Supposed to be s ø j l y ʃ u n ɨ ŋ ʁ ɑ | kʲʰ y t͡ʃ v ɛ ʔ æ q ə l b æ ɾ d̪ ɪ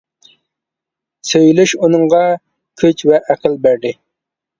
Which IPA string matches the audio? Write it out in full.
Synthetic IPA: s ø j l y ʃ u n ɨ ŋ ʁ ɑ | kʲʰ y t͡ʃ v ɛ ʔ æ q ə l b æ ɾ d̪ ɪ